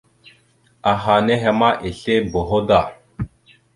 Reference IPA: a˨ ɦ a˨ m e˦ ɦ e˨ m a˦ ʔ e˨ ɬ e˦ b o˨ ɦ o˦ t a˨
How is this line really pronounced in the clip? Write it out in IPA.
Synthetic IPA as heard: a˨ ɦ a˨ n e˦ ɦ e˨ m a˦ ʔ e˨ ɬ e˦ b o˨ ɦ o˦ d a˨